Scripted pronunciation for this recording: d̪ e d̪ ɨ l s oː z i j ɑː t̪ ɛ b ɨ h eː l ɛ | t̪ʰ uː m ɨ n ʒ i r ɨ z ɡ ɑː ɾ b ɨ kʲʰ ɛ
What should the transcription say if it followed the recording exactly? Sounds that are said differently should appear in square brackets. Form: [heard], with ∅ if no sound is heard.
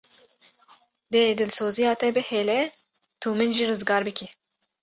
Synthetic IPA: d̪ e d̪ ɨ l s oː z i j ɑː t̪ ɛ b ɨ h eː l ɛ | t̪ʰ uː m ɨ n ʒ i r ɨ z ɡ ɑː ɾ b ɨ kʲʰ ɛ